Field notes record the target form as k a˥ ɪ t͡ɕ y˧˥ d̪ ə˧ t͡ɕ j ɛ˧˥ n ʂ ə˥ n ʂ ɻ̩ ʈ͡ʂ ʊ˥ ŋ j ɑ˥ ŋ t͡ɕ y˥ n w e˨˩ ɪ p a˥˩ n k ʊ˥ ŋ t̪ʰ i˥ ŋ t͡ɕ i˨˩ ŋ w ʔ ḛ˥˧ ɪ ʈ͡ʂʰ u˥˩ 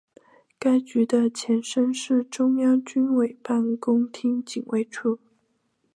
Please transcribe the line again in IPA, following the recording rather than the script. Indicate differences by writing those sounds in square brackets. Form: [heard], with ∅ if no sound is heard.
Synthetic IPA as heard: k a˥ ɪ t͡ɕ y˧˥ d̪ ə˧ [t͡ɕʰ] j ɛ˧˥ n ʂ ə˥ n ʂ ɻ̩ ʈ͡ʂ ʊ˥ ŋ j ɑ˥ ŋ t͡ɕ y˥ n w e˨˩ ɪ p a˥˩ n k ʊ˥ ŋ t̪ʰ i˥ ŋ t͡ɕ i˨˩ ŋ w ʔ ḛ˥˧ ɪ ʈ͡ʂʰ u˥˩